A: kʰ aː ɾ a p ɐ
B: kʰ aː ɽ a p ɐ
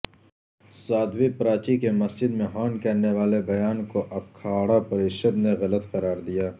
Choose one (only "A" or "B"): B